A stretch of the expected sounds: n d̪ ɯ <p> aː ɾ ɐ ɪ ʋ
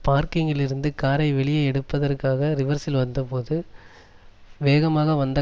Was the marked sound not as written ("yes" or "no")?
yes